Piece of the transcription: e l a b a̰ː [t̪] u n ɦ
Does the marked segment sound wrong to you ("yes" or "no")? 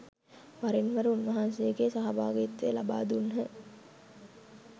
yes